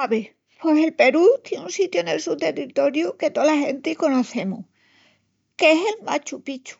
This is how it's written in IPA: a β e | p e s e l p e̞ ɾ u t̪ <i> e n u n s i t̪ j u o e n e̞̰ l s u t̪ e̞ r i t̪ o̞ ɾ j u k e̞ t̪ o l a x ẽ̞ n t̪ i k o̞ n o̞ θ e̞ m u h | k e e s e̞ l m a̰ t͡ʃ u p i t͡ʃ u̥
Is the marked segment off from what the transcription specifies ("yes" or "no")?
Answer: yes